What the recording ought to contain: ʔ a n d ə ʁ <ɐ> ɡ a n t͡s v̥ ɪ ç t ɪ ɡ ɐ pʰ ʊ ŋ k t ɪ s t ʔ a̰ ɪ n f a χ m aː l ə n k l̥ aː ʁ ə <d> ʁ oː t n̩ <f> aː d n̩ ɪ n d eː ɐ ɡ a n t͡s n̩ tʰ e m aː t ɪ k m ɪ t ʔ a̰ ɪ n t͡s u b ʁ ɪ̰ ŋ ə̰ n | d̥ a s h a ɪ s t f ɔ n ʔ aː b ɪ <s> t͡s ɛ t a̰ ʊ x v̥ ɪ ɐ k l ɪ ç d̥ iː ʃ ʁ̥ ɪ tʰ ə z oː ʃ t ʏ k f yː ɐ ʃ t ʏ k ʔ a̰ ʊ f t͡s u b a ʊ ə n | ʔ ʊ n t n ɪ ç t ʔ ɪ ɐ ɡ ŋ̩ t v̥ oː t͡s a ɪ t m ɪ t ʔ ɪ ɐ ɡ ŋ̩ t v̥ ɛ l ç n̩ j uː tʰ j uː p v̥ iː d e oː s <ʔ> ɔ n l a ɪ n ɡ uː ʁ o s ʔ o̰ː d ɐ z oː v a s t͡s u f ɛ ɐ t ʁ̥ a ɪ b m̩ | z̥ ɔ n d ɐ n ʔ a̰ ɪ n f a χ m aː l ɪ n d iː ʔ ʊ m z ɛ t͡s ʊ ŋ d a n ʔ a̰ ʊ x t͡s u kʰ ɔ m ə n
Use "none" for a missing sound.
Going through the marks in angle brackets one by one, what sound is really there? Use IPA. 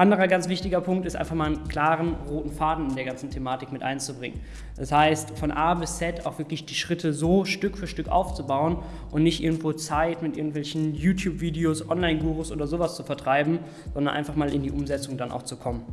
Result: ɐ, n, f, s, ʔ

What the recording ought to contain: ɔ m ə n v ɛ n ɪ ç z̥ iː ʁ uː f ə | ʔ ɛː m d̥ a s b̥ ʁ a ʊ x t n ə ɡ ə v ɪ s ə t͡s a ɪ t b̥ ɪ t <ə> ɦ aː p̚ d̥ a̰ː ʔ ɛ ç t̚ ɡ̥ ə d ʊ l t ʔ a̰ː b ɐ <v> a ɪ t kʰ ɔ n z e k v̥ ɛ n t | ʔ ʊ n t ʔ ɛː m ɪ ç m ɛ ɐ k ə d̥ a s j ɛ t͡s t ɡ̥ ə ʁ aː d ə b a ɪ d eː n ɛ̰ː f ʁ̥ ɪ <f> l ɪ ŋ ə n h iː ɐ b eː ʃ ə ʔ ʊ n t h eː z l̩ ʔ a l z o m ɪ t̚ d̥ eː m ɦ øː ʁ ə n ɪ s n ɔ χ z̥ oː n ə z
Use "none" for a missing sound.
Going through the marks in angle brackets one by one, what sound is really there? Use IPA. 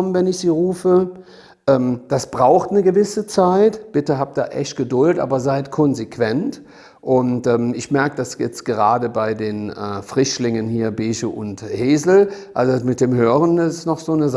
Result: ə, z, ʃ

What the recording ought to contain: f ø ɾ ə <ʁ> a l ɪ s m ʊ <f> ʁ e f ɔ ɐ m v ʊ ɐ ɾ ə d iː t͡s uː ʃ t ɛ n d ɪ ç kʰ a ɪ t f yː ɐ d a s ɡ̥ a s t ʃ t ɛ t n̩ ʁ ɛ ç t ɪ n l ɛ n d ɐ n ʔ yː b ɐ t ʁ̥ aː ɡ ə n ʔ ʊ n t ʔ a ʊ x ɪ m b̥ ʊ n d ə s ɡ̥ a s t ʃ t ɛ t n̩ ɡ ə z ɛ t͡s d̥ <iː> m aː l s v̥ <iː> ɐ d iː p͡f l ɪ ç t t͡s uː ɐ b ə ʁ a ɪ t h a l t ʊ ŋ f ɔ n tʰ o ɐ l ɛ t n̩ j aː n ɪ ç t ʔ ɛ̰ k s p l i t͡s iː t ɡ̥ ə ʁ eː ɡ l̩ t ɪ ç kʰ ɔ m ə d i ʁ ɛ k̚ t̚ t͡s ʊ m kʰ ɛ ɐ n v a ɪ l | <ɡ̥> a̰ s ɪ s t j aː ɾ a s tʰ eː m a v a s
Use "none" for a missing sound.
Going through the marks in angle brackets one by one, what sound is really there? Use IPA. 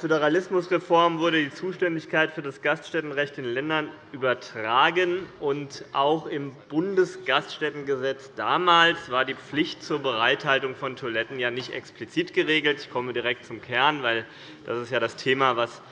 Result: ʁ, s, aː, aː, d̥

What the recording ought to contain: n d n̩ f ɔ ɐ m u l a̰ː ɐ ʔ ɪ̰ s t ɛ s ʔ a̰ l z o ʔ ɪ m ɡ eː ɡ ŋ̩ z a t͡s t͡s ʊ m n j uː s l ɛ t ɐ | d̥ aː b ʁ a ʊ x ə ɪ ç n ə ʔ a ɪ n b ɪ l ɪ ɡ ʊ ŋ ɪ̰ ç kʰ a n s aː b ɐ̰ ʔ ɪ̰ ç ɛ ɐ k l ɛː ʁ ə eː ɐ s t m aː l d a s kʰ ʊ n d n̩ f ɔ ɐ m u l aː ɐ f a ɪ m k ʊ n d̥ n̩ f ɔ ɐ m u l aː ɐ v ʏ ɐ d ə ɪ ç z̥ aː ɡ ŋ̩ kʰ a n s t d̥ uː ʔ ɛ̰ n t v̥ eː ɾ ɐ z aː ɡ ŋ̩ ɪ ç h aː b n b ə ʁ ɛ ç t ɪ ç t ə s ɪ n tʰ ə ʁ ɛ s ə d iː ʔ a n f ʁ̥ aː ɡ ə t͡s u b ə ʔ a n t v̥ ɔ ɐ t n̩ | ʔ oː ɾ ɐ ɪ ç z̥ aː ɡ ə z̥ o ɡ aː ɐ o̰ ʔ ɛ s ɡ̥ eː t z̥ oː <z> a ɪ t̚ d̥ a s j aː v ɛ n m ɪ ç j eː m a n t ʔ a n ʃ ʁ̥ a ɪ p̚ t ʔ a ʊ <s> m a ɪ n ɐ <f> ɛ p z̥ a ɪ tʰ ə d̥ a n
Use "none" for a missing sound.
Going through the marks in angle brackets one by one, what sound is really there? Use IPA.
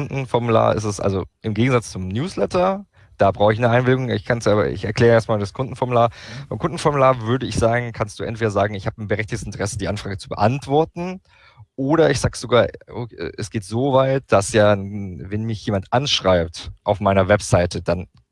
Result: v, f, v

